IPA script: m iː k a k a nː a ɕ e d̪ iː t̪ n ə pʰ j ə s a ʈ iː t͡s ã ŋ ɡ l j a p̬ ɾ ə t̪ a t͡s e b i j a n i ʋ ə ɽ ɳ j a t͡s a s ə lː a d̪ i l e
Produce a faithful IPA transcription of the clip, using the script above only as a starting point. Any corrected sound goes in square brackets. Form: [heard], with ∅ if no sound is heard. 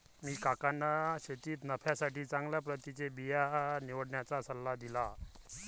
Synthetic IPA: m iː k a k a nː a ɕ e [t̪] iː t̪ n ə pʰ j [a] s a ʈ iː t͡s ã ŋ ɡ l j a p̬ ɾ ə t̪ [i] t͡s e b i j a n i ʋ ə ɽ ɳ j a t͡s a s ə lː a d̪ i l [a]

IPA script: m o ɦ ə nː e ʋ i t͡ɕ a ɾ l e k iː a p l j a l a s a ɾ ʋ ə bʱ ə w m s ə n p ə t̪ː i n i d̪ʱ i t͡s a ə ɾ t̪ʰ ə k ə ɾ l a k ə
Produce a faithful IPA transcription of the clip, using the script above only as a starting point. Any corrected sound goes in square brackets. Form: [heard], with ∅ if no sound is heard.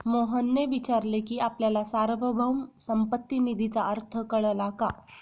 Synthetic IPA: m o ɦ ə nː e ʋ i t͡ɕ a ɾ l e k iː a p l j a l a s a ɾ ʋ ə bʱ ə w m s ə [m] p ə t̪ː i n i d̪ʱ i t͡s a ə ɾ t̪ʰ ə k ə [ɭ] l a k [a]

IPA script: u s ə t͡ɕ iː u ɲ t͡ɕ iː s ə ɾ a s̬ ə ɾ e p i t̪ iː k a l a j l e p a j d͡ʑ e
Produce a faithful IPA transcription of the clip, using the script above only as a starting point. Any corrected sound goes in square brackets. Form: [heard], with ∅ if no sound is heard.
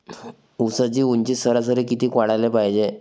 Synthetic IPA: u s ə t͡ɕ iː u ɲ t͡ɕ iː s ə ɾ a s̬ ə ɾ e [k] i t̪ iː k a [ɽ] a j l e p a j d͡ʑ e

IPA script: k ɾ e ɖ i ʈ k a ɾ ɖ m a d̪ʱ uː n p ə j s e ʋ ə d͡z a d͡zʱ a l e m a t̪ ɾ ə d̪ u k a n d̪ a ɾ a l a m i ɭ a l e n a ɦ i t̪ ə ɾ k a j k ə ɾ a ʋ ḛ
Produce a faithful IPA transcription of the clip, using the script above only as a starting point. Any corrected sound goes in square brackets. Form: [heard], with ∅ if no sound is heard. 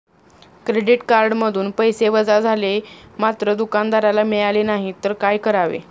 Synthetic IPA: k ɾ e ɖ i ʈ k a ɾ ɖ m [ə] d̪ʱ uː n p ə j s e ʋ ə d͡z a d͡zʱ a l e m a t̪ ɾ ə d̪ u k a n d̪ a ɾ a l a m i ɭ a l e n a ɦ i t̪ ə ɾ k a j k ə ɾ a ʋ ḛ

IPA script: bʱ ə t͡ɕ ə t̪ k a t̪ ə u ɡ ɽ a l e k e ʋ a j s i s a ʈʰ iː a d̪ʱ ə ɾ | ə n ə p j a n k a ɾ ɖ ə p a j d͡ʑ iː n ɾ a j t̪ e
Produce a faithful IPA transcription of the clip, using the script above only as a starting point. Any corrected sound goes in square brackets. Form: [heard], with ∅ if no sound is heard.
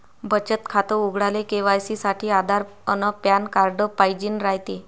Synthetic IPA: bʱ ə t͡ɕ ə t̪ [kʰ] a t̪ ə u ɡ ɽ a l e k e ʋ a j s i s a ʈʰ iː a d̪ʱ [a] ɾ | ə n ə p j a n k a ɾ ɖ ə p a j d͡ʑ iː n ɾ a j t̪ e

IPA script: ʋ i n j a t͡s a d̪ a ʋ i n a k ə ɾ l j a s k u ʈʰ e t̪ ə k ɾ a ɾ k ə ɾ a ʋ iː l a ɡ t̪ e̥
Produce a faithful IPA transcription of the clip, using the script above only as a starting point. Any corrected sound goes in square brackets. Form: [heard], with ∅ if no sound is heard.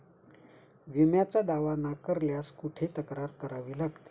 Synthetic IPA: ʋ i [m] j a t͡s a d̪ a ʋ [a] n a k ə ɾ l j a s k u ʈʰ e t̪ ə k ɾ a ɾ k ə ɾ a ʋ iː l a ɡ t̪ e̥

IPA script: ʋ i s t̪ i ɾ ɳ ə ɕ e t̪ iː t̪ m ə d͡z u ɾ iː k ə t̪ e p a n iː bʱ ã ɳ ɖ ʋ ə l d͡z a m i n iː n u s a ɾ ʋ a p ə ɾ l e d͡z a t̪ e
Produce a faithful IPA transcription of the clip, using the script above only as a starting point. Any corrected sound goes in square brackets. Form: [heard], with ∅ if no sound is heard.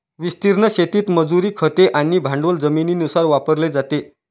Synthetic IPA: ʋ i s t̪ i ɾ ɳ ə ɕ e t̪ iː t̪ m ə d͡z u ɾ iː [kʰ] ə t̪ e [ʔ] a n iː bʱ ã ɳ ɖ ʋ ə l d͡z [ə] m i n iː n u s a ɾ ʋ a p ə ɾ l e d͡z a t̪ e

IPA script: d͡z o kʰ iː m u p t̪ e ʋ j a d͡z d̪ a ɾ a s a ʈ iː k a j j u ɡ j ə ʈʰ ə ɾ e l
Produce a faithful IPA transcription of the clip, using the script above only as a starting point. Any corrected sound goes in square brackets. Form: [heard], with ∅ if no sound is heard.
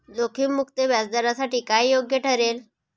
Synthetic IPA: d͡z o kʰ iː m u [k] t̪ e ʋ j a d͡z d̪ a ɾ a s a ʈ iː k a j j [o] ɡ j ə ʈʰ ə ɾ e l

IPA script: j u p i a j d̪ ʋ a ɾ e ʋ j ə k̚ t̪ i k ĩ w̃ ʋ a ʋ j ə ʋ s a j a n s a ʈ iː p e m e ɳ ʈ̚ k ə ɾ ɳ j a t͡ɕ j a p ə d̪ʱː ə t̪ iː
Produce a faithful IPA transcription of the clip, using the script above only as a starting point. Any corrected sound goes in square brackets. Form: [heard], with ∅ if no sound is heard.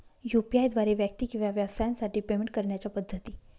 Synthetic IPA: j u p i a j d̪ ʋ a ɾ e ʋ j ə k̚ t̪ i k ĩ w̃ ʋ a ʋ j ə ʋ s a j a n s a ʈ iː p e m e ɳ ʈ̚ k ə ɾ ɳ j a t͡ɕ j a p ə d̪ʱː ə t̪ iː

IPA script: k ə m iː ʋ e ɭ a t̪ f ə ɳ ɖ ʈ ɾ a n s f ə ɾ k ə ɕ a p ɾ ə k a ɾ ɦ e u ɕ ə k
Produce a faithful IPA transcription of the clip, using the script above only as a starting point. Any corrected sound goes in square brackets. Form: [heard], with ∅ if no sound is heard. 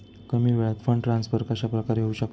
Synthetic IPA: k ə m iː ʋ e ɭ a t̪ f ə ɳ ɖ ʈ ɾ a n s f ə ɾ k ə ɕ a p ɾ ə k a ɾ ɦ e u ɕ ə k

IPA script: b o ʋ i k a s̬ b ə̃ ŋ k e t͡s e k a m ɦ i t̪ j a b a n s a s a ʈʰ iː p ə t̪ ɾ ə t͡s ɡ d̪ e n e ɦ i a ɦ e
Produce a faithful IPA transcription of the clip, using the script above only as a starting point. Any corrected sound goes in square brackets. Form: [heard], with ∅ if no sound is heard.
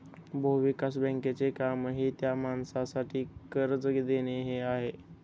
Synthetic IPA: b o ʋ i k a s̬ b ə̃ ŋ k e t͡s e k a m ɦ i t̪ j a [m] a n s a s a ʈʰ iː [k] ə [∅] ɾ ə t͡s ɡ d̪ e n e ɦ [e] a ɦ e

